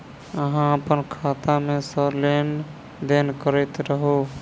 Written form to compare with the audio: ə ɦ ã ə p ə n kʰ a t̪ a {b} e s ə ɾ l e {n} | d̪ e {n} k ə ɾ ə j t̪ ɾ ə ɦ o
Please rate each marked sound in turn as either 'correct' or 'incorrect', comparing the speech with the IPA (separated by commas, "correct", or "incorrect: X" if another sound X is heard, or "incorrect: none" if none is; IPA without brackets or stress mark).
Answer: incorrect: m, correct, correct